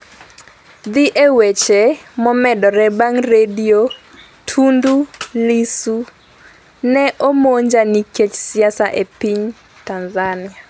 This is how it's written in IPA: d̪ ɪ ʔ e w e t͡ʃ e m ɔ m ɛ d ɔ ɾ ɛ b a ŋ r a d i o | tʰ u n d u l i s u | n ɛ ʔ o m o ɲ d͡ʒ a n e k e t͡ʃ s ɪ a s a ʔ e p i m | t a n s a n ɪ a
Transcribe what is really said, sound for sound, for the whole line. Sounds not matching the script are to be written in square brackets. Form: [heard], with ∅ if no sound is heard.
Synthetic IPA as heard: d̪ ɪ ʔ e w e t͡ʃ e m ɔ m ɛ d ɔ ɾ ɛ b a ŋ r [e] d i o | tʰ u n d u l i s u | n ɛ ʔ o m o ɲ d͡ʒ a n [i] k e t͡ʃ s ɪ a s a ʔ e p i [ɲ] | t a n [z] a n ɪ a